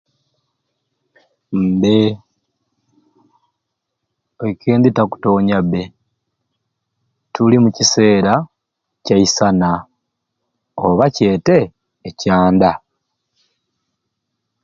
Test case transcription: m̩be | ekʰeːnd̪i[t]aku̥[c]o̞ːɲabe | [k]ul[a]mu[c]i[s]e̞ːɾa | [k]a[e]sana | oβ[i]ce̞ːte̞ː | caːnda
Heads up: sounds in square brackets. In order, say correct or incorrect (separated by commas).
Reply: correct, incorrect, incorrect, incorrect, correct, correct, incorrect, incorrect, incorrect